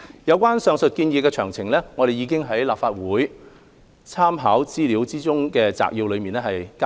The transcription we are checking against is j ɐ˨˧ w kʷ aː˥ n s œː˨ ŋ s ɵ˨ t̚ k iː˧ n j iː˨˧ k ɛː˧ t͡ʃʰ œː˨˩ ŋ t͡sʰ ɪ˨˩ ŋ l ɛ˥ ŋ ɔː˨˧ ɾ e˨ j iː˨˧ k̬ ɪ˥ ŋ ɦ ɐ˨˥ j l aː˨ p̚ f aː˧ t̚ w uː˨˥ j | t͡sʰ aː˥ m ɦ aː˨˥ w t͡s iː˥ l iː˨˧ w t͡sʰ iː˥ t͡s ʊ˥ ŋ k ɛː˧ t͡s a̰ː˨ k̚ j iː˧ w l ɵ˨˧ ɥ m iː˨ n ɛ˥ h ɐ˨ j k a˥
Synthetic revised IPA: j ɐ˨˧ w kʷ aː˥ n s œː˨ ŋ s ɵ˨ t̚ k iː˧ n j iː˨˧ k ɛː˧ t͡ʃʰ œː˨˩ ŋ t͡sʰ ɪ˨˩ ŋ l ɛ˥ ŋ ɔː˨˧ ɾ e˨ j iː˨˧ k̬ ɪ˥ ŋ ɦ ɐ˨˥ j l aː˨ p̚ f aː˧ t̚ w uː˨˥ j | t͡sʰ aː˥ m ɦ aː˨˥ w t͡s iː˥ l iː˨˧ w t͡s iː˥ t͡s ʊ˥ ŋ k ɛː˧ t͡s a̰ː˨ k̚ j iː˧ w l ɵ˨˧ ɥ m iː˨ n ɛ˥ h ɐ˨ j k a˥